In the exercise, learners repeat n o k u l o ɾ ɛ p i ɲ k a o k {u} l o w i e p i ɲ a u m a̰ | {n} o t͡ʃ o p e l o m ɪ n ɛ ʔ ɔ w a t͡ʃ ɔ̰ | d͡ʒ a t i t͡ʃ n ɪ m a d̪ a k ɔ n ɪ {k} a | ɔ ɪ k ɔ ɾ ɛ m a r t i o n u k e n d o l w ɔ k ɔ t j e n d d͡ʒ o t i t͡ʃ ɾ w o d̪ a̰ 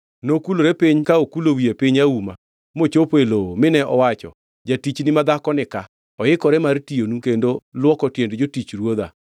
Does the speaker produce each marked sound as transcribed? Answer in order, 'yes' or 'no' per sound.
yes, no, yes

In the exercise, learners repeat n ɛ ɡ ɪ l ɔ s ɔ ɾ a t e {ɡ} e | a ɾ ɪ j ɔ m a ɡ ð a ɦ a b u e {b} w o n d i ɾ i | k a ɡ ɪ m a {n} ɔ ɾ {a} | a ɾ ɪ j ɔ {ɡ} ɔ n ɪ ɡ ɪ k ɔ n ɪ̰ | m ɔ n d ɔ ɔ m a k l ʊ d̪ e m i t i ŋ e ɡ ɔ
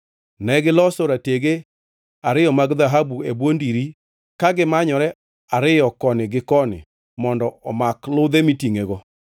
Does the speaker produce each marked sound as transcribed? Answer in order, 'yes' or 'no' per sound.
yes, yes, no, no, no

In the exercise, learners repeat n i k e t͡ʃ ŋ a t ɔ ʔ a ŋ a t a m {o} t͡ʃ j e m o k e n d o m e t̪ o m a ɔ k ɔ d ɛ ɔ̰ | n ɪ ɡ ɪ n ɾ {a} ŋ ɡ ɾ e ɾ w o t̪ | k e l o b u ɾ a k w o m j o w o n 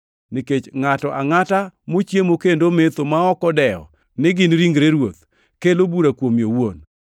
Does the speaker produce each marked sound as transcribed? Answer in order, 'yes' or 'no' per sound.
yes, no

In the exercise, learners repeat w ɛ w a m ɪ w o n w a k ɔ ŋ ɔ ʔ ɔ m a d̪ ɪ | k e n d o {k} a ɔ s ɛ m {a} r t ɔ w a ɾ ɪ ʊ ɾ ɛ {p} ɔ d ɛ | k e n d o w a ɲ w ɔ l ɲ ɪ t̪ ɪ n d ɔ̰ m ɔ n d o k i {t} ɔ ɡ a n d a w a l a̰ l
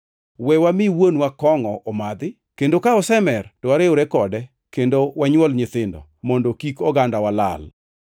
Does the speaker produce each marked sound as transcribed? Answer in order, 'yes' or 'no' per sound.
yes, no, no, no

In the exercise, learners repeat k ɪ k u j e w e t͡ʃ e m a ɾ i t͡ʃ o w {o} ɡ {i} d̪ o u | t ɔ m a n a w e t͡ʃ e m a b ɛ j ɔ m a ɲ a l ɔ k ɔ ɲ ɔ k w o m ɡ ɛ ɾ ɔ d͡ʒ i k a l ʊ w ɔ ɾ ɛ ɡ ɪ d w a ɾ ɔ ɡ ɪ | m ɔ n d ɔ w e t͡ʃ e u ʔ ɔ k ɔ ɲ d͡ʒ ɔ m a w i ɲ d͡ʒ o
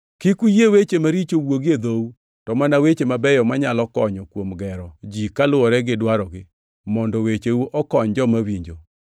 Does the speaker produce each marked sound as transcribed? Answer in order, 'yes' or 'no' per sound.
yes, no

